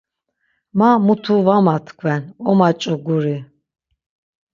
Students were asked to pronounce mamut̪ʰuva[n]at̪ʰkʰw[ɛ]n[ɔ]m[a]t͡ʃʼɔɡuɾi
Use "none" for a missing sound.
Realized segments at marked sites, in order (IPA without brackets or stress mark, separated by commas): m, ɛ, ɔ, a